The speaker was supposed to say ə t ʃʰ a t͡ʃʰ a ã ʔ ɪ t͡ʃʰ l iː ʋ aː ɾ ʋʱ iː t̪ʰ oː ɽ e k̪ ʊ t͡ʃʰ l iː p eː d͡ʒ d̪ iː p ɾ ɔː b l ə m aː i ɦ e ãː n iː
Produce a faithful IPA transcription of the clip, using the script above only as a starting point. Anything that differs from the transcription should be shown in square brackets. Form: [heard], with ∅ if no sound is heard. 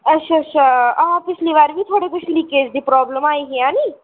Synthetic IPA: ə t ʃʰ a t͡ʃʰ a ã [p] ɪ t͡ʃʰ l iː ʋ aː ɾ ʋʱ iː t̪ʰ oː ɽ e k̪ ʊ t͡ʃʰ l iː [k] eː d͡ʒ d̪ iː p ɾ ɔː b l ə m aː i ɦ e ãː n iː